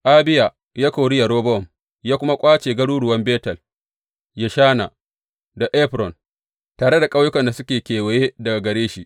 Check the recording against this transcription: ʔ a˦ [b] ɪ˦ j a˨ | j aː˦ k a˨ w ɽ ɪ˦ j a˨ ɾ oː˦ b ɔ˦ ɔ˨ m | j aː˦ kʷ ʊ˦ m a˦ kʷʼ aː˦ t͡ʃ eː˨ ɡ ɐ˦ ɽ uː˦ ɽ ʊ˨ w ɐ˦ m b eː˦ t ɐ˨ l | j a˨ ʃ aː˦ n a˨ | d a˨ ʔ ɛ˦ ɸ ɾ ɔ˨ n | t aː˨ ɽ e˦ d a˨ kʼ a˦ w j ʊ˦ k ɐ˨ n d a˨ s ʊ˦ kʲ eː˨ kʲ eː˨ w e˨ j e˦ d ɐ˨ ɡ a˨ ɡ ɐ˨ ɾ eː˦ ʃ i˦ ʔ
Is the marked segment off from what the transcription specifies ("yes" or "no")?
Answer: no